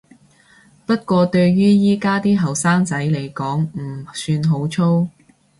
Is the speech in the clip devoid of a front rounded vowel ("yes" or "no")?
no